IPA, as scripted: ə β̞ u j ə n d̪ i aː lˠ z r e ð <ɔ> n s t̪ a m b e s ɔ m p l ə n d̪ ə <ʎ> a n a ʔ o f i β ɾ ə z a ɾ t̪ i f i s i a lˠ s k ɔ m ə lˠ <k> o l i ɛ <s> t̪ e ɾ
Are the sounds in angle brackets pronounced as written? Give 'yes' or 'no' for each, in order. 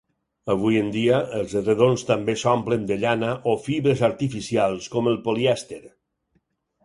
no, yes, no, yes

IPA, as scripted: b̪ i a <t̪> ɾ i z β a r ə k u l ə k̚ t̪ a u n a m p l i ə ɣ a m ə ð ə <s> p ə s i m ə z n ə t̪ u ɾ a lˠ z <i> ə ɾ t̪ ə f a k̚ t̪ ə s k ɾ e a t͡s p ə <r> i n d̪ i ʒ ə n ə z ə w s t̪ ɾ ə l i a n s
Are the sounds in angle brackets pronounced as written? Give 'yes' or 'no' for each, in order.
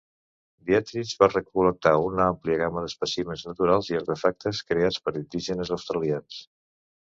yes, yes, yes, no

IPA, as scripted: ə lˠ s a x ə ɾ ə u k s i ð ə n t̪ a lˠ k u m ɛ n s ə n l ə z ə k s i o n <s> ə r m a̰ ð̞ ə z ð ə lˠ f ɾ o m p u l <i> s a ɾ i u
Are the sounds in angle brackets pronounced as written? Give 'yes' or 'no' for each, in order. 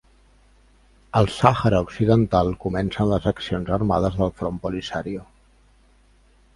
no, yes

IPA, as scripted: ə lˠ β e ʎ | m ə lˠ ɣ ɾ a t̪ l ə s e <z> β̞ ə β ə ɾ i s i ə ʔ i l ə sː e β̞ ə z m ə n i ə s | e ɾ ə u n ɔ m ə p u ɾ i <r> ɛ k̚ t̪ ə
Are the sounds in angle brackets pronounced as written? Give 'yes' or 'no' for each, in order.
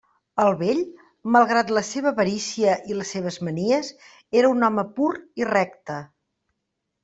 no, yes

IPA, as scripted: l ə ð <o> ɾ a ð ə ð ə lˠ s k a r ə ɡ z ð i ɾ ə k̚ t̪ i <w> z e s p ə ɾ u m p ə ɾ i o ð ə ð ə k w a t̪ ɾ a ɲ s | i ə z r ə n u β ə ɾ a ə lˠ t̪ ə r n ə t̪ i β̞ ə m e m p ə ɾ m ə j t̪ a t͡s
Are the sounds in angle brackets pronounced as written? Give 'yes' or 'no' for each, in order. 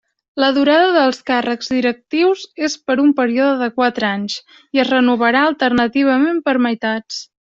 no, yes

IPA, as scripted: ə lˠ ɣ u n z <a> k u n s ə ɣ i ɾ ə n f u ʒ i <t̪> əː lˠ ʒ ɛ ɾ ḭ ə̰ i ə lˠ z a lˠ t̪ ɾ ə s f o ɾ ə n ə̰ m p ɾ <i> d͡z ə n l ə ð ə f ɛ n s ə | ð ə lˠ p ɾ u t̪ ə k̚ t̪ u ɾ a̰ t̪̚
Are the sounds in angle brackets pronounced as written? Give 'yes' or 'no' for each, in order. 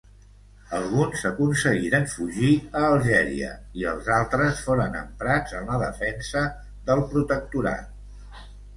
no, no, no

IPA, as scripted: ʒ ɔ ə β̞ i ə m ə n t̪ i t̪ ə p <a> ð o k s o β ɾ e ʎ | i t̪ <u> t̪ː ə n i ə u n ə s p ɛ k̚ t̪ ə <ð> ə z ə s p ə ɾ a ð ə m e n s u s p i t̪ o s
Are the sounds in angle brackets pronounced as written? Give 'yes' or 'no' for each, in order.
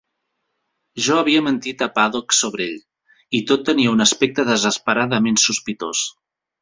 yes, no, yes

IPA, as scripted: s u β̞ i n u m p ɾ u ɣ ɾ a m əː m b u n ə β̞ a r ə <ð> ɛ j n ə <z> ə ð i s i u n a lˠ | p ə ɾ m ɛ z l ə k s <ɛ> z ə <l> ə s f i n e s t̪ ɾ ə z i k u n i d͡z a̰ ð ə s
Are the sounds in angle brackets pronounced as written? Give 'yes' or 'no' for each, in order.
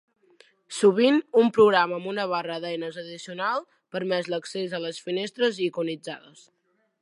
yes, yes, no, yes

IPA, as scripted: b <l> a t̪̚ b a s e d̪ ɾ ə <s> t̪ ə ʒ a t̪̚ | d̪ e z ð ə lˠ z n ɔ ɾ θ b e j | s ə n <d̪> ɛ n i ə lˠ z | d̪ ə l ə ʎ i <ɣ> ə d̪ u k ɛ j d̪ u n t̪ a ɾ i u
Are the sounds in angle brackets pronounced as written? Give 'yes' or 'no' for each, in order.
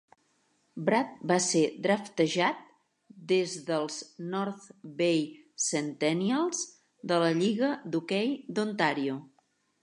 no, no, no, yes

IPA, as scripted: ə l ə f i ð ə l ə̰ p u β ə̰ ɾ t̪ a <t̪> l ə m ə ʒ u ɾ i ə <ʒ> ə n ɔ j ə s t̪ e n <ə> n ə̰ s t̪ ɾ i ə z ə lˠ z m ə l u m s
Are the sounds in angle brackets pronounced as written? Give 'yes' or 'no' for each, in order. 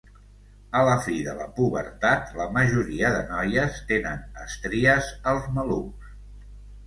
yes, no, yes

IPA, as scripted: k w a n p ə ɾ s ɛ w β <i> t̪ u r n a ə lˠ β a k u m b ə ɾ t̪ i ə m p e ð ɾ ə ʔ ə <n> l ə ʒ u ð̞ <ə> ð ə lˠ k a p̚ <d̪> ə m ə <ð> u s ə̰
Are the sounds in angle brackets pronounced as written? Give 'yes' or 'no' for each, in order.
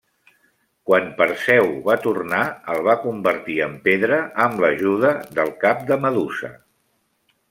no, no, yes, yes, yes

